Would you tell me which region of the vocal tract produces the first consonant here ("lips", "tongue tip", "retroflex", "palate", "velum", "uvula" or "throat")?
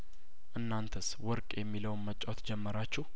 throat